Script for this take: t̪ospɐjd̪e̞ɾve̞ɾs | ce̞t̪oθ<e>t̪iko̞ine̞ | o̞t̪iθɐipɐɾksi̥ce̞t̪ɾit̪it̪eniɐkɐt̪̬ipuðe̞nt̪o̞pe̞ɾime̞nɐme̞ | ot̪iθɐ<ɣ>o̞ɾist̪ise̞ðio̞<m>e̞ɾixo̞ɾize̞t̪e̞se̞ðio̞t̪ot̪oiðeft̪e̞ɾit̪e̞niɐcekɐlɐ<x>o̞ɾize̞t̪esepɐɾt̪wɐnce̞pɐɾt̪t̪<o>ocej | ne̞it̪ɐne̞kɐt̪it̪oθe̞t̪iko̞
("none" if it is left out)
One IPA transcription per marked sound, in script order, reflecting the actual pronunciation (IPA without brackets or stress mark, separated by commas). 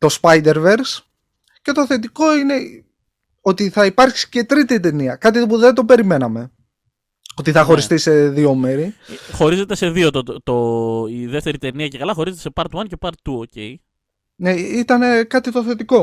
e, x, m, x, u